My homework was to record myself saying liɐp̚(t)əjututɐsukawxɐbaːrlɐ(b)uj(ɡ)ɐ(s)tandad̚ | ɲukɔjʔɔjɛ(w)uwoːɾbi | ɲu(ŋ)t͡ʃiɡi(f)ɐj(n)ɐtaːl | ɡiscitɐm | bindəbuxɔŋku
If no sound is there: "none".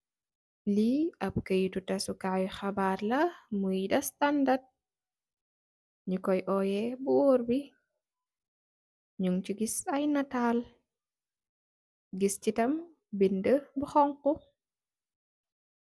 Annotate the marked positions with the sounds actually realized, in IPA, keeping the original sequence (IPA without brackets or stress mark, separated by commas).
k, m, d, s, b, ŋ, s, n